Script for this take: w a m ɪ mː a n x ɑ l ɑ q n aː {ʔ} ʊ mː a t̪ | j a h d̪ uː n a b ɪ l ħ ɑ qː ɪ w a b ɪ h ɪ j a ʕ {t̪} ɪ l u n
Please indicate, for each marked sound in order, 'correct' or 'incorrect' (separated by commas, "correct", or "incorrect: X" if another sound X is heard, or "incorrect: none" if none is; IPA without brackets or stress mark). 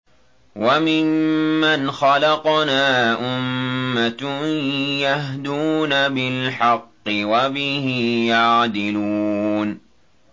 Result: correct, incorrect: d̪